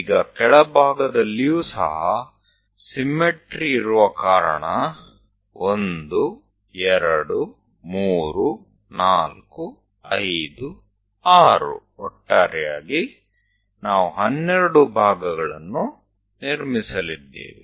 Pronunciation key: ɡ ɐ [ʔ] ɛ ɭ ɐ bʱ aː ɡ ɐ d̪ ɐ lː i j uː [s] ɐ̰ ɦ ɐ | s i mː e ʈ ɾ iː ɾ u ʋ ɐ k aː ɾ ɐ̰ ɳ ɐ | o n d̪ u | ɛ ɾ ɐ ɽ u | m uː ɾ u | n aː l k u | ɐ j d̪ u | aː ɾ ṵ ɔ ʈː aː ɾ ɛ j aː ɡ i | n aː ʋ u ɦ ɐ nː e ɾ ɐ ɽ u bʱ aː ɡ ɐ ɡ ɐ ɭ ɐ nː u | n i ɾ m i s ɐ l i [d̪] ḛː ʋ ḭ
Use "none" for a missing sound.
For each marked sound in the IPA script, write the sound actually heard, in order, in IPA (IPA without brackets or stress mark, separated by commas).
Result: k, s, d̪ː